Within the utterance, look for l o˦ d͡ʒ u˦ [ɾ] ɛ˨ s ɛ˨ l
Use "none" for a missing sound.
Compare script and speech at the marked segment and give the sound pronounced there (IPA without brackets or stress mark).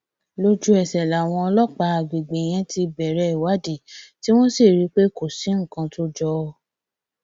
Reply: none